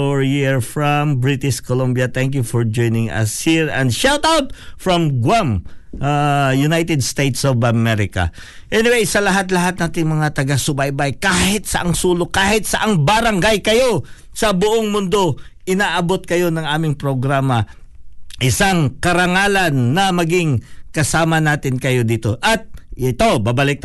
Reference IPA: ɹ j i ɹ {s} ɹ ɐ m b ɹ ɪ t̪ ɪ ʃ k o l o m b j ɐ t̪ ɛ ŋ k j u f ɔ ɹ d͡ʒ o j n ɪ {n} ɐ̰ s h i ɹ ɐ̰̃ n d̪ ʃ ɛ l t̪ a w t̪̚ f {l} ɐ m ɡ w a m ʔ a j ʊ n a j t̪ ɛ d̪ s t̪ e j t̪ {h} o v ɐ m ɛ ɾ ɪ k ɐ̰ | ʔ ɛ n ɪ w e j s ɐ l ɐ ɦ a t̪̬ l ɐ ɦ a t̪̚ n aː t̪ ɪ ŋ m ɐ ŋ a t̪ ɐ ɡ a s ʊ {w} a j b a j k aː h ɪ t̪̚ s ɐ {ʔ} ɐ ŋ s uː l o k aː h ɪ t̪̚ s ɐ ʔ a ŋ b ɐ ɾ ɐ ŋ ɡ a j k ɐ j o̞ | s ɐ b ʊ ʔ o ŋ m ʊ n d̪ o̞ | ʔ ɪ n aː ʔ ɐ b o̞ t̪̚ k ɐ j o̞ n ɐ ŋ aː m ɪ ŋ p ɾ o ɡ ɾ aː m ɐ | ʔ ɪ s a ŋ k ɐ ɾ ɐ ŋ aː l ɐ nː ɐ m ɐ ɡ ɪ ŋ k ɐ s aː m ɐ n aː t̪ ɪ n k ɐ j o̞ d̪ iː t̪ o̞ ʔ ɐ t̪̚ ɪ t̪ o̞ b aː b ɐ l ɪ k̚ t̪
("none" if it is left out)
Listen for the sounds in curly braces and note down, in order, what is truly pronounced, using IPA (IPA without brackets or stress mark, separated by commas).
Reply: f, ŋ, ɹ, s, b, ʔ